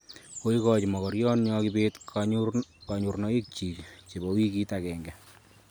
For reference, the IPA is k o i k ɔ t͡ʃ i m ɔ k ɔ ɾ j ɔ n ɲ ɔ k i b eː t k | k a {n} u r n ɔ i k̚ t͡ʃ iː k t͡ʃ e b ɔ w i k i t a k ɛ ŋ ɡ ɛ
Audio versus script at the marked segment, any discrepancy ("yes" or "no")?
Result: yes